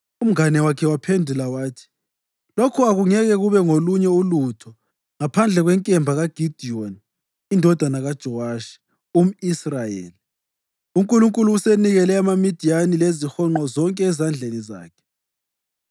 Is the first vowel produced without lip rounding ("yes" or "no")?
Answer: no